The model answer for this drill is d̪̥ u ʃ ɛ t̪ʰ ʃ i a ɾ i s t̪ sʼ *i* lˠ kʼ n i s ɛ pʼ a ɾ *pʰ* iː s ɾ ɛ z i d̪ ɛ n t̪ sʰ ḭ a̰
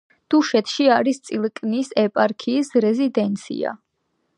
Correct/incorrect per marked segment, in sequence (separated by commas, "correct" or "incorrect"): correct, incorrect